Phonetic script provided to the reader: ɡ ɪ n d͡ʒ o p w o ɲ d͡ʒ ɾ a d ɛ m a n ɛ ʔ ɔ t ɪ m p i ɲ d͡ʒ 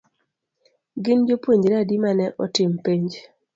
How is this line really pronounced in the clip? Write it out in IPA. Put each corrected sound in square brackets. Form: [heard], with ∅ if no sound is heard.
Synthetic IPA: ɡ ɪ n d͡ʒ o p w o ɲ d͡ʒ ɾ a d [i] m a n ɛ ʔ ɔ t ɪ m p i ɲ d͡ʒ